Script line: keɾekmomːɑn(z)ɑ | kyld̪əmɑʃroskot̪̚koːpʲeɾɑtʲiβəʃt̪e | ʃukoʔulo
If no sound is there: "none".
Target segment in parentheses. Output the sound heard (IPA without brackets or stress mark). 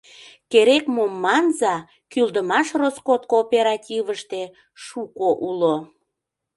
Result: z